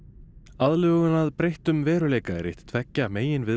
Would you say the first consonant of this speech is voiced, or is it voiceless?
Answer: voiced